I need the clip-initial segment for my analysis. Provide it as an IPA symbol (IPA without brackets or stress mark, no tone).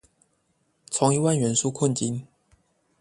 t͡sʰ